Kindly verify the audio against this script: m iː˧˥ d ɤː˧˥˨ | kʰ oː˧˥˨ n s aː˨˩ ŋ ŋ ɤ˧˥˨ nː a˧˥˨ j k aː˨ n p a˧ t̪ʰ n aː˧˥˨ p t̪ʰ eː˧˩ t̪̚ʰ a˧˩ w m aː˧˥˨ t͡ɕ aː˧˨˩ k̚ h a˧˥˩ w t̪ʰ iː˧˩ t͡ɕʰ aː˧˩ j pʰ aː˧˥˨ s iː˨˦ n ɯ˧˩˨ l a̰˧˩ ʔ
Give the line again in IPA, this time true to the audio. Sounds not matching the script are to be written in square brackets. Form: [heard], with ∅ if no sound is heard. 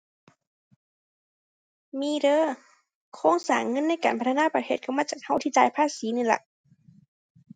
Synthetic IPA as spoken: m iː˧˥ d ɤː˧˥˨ | kʰ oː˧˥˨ [ŋ] s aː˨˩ ŋ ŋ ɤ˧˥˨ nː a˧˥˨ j k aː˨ n p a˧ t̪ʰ n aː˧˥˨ p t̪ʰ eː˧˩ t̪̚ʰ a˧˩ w m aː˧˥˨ t͡ɕ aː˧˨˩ k̚ h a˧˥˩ w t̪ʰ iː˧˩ [t͡ɕ] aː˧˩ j pʰ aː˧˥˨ s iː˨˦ n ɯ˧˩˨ l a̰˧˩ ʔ